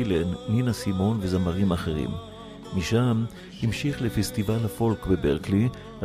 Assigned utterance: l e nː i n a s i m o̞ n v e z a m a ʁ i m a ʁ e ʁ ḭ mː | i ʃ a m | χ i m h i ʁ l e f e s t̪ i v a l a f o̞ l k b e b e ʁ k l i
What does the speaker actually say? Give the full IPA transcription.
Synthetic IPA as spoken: l e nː i n a s i m o̞ n v e z a m a ʁ i m a χ e ʁ ḭ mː | i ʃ a m | h i m ʃ i χ l e f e s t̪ i v a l a f o̞ l k b e b e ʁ k l i